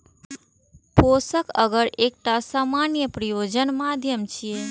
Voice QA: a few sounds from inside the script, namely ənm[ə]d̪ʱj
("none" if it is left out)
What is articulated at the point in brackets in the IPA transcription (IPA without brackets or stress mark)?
a